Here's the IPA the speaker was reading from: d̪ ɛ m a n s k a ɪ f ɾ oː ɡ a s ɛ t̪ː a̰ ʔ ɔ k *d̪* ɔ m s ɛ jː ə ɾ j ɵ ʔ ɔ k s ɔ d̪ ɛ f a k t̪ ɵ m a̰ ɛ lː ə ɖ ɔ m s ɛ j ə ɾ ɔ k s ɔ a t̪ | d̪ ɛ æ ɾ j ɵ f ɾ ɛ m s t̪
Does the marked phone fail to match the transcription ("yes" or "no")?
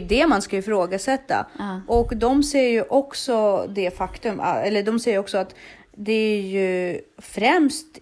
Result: no